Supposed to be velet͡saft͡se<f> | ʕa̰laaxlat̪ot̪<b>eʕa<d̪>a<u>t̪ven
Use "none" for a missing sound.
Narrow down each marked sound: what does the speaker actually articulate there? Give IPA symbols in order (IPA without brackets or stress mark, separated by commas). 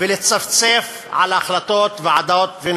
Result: f, v, d̪, o